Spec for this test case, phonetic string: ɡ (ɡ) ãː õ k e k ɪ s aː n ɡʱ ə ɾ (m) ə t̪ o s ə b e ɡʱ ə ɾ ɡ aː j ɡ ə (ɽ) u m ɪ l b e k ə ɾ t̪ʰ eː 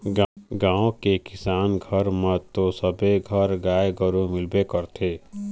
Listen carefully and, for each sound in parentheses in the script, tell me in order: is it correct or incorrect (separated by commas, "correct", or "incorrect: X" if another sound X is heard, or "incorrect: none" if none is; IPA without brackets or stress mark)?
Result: correct, correct, incorrect: ɾ